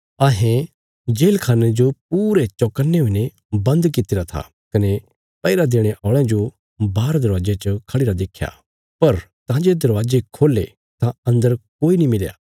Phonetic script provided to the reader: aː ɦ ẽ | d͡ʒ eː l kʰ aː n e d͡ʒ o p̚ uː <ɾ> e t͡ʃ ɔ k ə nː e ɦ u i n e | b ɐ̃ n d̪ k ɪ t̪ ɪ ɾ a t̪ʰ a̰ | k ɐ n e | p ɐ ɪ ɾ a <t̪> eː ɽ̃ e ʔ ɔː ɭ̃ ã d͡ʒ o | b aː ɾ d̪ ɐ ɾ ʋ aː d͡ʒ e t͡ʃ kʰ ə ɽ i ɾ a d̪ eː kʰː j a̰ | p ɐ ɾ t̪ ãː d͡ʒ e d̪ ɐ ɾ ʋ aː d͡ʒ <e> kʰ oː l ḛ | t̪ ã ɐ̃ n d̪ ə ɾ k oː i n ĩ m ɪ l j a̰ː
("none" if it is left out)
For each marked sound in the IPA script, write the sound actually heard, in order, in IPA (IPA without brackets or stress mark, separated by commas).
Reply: ɾ, d̪, e